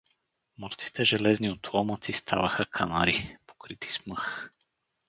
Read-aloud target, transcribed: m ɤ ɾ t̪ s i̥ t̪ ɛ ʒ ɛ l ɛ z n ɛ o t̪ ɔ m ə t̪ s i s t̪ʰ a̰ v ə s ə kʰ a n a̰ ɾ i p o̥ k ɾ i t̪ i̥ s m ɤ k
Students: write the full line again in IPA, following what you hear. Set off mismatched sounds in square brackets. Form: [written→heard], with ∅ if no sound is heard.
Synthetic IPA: m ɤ ɾ t̪ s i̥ t̪ ɛ ʒ ɛ l ɛ z n [ɛ→i] o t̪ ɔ m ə t̪ s i s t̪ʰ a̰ v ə [s→x] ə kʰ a n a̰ ɾ i p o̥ k ɾ i t̪ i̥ s m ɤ [k→x]